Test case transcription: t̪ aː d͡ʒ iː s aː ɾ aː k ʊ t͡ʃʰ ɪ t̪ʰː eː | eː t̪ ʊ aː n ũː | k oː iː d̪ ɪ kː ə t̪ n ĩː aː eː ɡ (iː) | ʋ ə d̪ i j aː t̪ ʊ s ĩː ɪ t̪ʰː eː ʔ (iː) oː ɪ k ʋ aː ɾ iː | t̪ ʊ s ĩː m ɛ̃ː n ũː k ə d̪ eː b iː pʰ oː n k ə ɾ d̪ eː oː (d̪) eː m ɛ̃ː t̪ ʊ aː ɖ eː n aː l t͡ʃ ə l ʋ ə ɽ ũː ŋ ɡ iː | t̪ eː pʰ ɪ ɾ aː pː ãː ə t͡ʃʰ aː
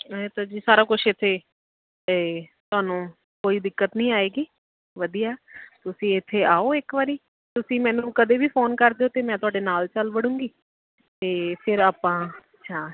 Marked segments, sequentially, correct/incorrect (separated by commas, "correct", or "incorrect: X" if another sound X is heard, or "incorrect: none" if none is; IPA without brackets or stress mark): correct, incorrect: aː, incorrect: t̪